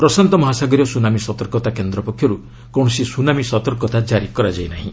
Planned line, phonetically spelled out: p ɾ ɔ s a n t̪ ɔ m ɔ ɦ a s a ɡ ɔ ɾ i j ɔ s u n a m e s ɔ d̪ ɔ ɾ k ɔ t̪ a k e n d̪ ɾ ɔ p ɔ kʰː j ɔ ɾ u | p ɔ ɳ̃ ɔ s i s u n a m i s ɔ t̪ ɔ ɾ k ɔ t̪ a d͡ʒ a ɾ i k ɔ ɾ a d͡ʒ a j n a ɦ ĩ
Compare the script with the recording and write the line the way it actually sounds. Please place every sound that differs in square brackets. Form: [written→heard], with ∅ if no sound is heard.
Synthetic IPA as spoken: p ɾ ɔ s a n t̪ ɔ m ɔ ɦ a s a ɡ ɔ ɾ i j ɔ s u n a m [e→i] s ɔ [d̪→t̪] ɔ ɾ k ɔ t̪ a k e n d̪ ɾ ɔ p ɔ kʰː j ɔ ɾ u | [p→k] ɔ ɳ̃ ɔ s i s u n a m i s ɔ t̪ ɔ ɾ k ɔ t̪ a d͡ʒ a ɾ i k ɔ ɾ a d͡ʒ a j n a ɦ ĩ